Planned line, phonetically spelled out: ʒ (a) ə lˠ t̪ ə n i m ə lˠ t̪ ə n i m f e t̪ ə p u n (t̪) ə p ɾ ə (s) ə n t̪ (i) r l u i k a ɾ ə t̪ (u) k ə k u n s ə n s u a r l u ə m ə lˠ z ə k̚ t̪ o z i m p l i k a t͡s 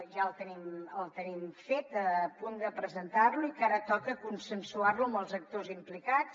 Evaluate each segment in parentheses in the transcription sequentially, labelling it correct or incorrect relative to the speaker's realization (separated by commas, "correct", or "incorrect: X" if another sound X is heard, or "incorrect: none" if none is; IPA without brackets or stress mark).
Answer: correct, incorrect: d̪, incorrect: z, incorrect: a, incorrect: ɔ